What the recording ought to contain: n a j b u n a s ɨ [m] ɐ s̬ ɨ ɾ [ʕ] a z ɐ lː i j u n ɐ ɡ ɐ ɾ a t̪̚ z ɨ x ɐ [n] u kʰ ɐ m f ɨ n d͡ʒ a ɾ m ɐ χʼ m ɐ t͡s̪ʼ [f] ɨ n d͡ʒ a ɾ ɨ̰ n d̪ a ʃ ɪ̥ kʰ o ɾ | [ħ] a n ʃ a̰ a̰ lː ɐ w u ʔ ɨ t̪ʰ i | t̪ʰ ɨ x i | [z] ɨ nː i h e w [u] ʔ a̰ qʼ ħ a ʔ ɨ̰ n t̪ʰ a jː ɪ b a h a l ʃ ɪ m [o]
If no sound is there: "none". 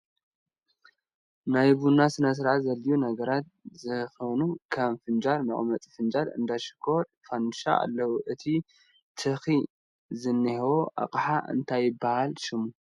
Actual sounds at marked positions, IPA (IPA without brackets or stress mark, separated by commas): n, ʕ, n, f, f, z, o, u